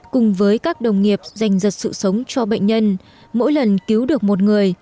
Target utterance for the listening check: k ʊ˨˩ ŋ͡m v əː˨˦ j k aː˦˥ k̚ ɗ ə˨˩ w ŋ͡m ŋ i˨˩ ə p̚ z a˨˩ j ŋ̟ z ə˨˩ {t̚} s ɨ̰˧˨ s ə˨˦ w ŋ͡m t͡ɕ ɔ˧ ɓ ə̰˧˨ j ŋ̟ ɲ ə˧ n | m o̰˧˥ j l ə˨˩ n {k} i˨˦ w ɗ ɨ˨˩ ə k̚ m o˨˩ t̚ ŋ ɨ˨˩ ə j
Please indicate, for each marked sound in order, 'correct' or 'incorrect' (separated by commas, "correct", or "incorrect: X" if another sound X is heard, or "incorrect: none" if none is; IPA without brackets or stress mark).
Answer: correct, correct